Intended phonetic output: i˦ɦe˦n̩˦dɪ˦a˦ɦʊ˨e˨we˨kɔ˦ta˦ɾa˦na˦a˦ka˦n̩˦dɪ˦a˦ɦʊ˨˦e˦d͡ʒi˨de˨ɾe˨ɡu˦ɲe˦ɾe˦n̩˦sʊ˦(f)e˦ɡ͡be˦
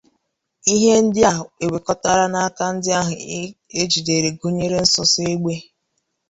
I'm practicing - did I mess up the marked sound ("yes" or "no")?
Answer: yes